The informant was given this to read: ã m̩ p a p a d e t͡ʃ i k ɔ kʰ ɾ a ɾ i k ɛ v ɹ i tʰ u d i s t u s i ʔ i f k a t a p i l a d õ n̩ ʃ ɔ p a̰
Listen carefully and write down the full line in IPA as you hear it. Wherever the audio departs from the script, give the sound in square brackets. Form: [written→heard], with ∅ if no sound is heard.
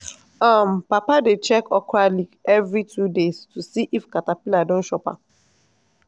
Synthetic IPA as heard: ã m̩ p a p a d e t͡ʃ [i→ɛ] k ɔ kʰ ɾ a [ɾ→l] i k ɛ v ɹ i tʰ u d [i→e] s t u s i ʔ i f k a t a p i l a d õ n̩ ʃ ɔ p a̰